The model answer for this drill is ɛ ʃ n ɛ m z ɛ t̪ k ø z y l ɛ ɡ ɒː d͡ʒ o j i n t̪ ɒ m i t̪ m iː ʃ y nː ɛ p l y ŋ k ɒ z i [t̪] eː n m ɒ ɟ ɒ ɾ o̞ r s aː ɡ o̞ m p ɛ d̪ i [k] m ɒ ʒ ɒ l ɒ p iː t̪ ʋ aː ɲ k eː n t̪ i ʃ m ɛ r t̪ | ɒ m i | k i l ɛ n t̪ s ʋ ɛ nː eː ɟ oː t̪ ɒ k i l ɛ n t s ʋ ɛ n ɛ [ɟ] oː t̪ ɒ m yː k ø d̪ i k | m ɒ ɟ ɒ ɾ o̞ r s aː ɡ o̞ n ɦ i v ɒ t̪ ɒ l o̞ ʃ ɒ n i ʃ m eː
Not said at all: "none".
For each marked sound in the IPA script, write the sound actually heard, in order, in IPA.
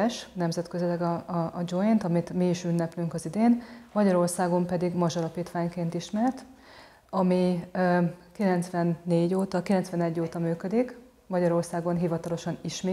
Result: d̪, ɡ, ɟː

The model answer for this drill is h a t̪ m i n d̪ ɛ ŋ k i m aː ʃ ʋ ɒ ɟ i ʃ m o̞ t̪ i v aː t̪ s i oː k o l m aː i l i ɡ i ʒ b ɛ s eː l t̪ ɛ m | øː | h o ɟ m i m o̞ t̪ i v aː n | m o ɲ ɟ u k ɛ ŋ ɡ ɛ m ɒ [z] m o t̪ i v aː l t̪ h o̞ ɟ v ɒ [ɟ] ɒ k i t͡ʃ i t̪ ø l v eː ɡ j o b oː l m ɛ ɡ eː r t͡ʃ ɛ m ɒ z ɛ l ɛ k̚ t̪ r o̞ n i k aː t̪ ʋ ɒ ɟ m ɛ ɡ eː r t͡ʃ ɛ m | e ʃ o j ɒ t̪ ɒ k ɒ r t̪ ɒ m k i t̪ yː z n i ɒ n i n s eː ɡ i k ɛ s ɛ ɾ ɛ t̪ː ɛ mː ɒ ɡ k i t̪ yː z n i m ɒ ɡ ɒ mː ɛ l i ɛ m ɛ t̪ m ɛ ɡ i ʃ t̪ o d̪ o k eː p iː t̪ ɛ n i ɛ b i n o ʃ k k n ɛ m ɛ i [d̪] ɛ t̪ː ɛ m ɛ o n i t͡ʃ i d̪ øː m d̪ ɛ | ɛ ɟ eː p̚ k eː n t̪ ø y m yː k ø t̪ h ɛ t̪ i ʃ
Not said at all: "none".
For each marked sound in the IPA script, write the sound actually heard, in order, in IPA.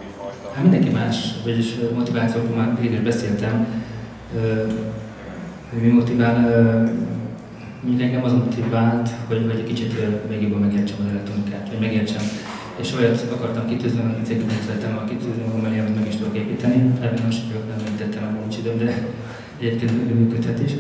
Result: z, ɟ, t̪

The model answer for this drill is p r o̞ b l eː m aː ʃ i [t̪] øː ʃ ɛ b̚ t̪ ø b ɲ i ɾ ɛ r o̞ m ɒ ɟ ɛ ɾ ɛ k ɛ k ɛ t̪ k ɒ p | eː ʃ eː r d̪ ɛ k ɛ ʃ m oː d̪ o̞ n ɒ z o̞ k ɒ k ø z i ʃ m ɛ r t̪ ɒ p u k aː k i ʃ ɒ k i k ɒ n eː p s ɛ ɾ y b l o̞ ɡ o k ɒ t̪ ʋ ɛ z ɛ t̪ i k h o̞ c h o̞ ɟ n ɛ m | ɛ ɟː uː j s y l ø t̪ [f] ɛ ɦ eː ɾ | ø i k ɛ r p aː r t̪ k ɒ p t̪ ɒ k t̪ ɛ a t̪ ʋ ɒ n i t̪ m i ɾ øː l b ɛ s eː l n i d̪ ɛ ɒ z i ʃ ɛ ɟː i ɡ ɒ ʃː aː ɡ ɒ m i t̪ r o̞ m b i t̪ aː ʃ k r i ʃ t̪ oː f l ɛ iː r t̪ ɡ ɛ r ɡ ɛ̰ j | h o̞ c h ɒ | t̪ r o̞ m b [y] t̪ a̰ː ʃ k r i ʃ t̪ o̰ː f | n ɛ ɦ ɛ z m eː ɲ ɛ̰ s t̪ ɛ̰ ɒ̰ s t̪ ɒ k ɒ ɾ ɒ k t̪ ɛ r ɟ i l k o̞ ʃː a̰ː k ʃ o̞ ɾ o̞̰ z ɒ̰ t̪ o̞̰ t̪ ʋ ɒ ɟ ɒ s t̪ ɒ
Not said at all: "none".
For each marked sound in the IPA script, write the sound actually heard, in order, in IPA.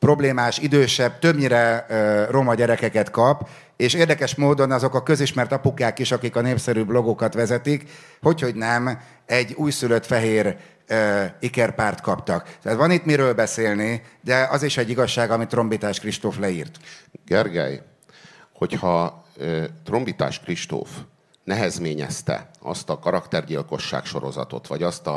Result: d̪, f, i

